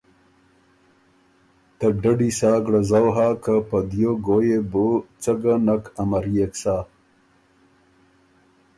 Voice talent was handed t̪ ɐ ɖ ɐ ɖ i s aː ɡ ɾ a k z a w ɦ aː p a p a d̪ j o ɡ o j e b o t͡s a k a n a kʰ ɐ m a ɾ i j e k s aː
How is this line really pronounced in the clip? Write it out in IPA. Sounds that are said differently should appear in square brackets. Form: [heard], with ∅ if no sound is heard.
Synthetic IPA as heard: t̪ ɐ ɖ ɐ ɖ i s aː ɡ [ɽ] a [∅] z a w ɦ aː [k] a p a d̪ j o ɡ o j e b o t͡s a [ɡ] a n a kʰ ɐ m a ɾ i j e k s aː